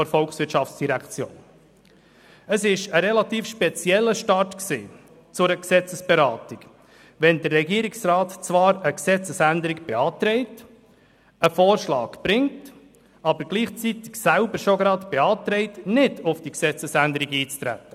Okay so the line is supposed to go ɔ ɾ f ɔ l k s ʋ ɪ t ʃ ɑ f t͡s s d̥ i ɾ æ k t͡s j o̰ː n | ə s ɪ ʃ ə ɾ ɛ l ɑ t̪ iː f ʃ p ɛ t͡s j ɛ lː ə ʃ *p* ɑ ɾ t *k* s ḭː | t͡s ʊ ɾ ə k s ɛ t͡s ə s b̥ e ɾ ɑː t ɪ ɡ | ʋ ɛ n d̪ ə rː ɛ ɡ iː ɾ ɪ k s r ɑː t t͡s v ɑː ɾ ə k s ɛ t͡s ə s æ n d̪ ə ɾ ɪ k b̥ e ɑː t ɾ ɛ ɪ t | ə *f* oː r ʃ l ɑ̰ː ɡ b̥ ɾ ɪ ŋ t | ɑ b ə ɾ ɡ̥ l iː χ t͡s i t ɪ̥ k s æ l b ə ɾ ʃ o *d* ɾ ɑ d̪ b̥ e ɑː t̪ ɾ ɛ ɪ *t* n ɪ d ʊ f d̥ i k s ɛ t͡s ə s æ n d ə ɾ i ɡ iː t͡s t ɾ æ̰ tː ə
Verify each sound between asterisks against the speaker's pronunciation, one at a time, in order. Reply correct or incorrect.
incorrect, correct, correct, incorrect, correct

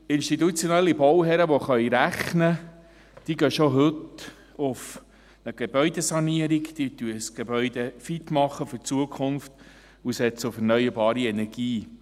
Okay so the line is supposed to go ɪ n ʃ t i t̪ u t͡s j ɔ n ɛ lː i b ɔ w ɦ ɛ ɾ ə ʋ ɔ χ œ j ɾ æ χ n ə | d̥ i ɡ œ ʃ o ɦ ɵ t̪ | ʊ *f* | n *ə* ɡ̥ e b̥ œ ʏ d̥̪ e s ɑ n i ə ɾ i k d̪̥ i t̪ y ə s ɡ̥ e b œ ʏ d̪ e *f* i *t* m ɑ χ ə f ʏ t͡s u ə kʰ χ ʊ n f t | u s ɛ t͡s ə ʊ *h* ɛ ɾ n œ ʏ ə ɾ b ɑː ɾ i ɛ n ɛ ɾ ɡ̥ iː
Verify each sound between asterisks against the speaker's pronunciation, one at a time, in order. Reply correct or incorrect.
correct, correct, correct, correct, incorrect

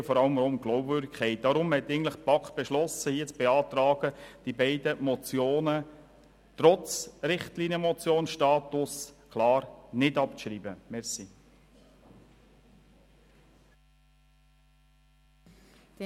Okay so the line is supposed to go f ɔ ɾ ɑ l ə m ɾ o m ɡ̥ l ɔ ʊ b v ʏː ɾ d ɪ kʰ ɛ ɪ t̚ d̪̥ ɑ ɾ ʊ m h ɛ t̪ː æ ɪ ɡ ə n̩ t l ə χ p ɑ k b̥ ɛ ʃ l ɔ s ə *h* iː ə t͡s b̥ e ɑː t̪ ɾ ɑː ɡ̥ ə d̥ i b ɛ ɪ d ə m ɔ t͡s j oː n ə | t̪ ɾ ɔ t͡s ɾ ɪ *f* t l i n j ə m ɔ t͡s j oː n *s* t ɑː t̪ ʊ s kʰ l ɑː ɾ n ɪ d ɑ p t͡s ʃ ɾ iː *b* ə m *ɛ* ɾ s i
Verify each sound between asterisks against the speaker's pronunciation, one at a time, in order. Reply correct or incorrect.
correct, incorrect, incorrect, correct, correct

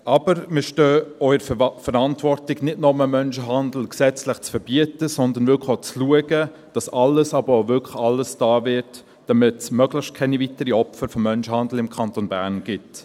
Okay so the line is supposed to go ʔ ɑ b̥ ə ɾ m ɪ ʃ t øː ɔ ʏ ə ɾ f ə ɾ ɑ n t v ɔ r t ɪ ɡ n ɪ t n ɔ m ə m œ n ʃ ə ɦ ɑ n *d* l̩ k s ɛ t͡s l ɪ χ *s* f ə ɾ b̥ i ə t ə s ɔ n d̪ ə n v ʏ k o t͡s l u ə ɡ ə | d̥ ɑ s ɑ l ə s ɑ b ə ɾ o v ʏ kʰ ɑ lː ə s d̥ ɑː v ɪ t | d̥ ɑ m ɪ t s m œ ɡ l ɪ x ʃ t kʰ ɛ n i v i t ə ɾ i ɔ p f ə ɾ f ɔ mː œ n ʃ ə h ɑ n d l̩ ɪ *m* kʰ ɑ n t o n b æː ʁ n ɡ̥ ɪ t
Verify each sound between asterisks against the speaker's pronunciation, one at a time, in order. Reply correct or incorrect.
correct, incorrect, correct

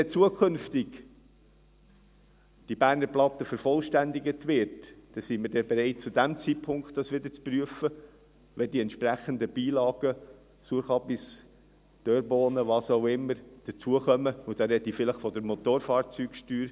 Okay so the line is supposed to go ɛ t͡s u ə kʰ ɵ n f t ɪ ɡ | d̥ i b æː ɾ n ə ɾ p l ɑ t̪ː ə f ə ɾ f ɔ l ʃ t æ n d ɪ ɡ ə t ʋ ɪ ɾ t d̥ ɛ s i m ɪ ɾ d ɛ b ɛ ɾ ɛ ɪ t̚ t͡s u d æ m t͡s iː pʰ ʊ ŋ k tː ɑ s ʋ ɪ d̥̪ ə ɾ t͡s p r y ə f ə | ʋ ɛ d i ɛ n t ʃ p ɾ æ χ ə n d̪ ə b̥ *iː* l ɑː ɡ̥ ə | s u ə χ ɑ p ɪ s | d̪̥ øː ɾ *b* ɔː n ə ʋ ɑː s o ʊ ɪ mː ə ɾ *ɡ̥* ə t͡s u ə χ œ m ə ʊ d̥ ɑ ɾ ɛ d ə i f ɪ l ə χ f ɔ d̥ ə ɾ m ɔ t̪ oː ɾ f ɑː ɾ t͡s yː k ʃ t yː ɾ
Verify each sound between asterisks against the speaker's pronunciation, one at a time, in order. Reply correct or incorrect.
correct, correct, incorrect

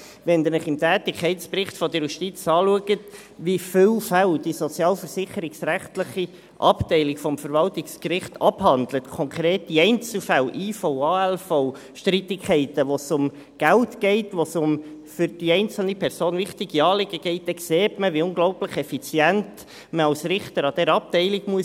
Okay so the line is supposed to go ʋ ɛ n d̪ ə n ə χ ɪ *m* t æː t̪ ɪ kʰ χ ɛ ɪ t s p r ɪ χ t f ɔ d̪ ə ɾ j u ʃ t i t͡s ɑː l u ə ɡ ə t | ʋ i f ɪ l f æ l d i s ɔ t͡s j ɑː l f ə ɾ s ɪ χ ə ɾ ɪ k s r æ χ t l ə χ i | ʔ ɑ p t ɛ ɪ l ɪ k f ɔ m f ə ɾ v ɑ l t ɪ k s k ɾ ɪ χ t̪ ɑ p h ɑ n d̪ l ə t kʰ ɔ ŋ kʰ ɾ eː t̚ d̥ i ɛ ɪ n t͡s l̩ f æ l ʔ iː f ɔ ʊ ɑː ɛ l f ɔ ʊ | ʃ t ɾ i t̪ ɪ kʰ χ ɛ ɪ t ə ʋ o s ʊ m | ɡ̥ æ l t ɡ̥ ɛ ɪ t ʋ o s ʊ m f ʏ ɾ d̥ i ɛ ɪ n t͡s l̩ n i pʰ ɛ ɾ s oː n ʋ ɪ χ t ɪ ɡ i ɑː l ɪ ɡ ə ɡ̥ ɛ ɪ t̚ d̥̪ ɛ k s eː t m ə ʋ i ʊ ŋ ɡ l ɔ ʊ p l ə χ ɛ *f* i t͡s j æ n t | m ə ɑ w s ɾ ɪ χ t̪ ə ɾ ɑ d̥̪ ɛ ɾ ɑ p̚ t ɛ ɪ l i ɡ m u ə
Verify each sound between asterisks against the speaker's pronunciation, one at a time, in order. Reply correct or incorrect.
correct, correct

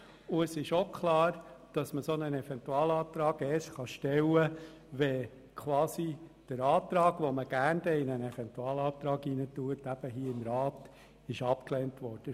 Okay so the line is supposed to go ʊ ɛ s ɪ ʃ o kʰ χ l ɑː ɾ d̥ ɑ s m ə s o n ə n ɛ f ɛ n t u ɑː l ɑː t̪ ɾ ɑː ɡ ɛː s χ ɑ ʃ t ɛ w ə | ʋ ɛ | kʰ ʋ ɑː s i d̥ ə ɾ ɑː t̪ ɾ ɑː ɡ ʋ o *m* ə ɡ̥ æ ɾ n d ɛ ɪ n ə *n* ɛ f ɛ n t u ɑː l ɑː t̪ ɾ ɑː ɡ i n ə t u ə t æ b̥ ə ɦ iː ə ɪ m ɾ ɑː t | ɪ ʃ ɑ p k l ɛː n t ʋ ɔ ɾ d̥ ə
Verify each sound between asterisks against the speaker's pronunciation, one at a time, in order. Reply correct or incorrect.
correct, correct

